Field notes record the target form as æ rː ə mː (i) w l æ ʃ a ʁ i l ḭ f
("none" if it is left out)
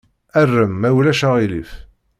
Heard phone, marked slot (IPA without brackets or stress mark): æ